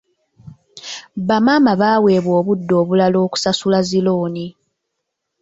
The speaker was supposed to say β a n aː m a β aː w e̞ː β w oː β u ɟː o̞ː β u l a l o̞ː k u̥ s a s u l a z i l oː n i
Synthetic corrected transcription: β a m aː m a β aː w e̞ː β w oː β u dː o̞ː β u l a l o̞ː k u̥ s a s u l a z i l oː n i